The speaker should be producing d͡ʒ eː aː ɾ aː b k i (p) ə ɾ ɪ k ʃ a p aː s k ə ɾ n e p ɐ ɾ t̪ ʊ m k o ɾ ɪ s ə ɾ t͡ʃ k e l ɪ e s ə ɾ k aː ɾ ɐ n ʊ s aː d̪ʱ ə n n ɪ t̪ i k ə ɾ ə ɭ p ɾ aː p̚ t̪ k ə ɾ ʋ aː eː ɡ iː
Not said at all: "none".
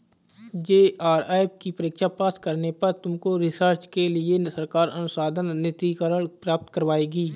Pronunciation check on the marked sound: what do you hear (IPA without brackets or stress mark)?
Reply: p